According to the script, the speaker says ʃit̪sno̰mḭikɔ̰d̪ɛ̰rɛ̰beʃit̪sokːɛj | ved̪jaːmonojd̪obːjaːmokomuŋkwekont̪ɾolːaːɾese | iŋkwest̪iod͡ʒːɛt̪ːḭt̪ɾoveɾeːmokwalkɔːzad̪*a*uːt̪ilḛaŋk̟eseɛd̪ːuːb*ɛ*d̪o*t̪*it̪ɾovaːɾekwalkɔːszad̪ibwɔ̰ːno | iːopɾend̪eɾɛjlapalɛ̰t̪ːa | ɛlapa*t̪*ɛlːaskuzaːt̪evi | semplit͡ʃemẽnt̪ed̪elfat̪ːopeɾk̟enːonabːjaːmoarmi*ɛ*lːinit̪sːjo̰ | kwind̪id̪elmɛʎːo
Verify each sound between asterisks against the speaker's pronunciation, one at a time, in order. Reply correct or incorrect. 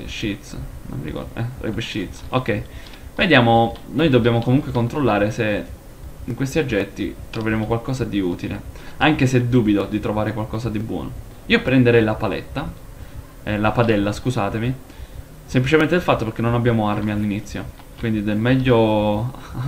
incorrect, incorrect, incorrect, incorrect, incorrect

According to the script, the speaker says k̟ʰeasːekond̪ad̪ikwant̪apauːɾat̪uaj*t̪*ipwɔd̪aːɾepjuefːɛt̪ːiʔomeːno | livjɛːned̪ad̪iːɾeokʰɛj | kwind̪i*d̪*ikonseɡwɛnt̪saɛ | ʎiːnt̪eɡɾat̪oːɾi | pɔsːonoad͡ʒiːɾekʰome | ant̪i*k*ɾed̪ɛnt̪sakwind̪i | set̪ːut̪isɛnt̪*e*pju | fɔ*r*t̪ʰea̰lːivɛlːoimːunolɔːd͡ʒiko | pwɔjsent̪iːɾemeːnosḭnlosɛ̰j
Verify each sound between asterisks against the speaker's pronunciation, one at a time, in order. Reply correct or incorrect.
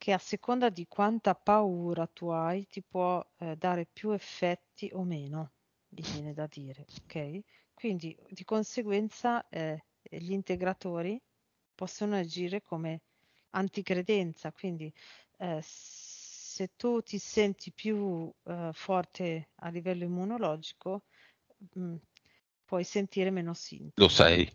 correct, correct, correct, incorrect, correct

